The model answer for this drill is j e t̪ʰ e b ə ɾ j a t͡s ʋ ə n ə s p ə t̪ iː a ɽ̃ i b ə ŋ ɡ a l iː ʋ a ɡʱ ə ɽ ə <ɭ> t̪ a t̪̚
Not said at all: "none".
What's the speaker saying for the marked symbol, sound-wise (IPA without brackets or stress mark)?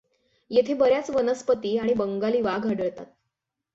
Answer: ɭ